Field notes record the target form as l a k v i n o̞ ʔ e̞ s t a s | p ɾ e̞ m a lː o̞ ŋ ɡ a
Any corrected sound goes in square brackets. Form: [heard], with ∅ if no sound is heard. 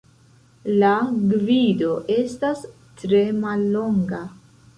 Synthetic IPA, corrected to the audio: l a [ɡ] v i [d] o̞ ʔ e̞ s t a s | [t] ɾ e̞ m a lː o̞ ŋ ɡ a